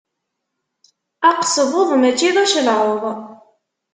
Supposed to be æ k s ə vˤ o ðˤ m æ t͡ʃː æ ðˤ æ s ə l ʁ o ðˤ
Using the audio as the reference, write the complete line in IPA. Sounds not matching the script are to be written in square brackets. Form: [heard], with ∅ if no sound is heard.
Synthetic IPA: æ [q] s ə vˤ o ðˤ m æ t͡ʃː [i] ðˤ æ [ʃ] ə l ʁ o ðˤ